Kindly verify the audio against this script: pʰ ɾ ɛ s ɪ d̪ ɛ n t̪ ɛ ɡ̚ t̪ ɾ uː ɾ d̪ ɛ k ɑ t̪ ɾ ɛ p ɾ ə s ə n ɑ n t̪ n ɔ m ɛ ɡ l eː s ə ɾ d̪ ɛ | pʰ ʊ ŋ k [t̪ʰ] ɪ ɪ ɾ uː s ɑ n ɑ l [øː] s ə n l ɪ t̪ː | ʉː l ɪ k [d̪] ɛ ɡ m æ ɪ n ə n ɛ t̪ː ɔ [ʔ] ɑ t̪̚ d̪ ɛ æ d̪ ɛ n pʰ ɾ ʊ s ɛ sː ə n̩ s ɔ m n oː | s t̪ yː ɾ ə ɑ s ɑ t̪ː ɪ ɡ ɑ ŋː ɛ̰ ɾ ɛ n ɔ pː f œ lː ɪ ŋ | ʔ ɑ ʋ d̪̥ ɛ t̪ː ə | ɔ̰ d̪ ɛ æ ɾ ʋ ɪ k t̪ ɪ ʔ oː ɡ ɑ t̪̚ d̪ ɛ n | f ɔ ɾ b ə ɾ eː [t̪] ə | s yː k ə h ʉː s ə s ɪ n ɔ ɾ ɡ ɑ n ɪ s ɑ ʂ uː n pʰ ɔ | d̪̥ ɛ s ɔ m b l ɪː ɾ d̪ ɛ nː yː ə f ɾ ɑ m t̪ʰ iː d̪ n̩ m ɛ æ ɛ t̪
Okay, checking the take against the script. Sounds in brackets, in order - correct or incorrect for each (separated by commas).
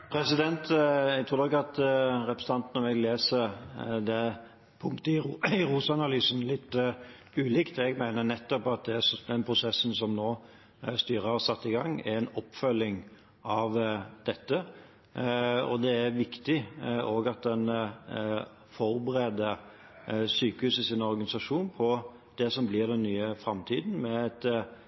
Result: incorrect, incorrect, incorrect, incorrect, incorrect